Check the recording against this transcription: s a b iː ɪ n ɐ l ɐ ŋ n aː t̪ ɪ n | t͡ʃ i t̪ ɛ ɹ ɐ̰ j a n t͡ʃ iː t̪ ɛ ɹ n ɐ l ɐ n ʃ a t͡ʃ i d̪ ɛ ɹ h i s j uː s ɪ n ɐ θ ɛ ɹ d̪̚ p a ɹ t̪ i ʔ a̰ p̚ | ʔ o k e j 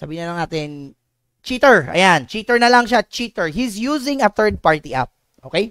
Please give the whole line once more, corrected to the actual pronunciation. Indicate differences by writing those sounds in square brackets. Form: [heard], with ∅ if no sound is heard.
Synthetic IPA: s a b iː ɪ n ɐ l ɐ ŋ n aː t̪ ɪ n | t͡ʃ i t̪ ɛ ɹ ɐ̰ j a n t͡ʃ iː t̪ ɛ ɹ n ɐ l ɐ [ŋ] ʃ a t͡ʃ i [t̪] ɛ ɹ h i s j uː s ɪ [ŋ] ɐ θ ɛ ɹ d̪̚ p a ɹ t̪ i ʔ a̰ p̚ | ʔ o k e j